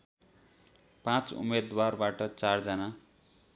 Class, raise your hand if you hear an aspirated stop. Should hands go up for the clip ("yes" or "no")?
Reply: no